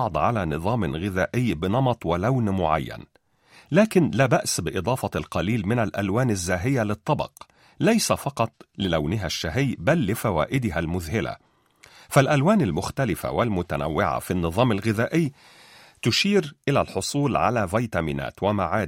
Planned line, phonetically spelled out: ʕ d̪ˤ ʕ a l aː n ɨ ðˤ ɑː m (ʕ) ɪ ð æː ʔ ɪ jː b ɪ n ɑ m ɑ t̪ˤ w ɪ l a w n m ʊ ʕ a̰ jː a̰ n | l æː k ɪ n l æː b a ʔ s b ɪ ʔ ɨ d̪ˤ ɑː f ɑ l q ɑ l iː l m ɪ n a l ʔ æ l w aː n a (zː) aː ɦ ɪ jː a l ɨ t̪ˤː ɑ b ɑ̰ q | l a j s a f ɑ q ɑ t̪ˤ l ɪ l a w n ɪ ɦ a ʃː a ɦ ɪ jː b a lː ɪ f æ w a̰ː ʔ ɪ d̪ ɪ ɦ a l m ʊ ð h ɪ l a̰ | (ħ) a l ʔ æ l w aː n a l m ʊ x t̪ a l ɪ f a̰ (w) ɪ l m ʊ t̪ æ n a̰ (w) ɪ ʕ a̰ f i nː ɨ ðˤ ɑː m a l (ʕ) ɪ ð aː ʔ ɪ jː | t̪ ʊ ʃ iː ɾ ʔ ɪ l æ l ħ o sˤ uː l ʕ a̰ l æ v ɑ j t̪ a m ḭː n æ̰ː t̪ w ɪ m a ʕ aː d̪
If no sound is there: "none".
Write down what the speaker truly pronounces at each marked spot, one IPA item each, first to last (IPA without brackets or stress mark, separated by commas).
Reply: ɣ, zː, f, w, wː, ɣ